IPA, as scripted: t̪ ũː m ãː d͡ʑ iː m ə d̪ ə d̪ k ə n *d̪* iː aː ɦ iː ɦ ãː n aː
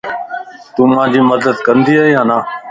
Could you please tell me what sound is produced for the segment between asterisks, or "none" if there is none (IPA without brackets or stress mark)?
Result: d̪